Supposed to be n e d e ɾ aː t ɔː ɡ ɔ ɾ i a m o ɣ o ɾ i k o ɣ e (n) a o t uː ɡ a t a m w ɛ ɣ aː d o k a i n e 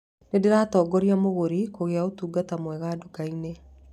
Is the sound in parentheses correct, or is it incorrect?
incorrect